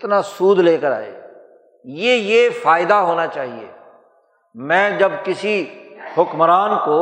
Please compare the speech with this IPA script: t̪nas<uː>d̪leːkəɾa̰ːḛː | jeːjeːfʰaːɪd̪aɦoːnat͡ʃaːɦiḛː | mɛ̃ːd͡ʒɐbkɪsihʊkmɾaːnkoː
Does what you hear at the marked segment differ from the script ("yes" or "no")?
no